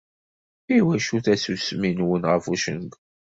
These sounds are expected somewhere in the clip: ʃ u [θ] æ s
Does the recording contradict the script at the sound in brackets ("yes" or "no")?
no